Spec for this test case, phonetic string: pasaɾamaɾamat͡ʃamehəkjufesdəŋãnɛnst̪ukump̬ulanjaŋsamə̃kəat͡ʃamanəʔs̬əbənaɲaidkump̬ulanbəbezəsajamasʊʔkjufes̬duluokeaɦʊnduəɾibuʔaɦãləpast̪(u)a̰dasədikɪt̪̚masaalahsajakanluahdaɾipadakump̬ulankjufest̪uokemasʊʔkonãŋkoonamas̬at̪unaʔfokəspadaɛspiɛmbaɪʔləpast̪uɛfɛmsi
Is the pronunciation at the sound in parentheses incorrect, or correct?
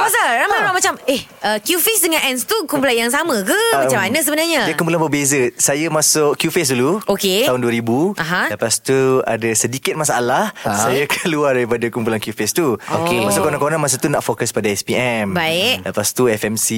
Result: correct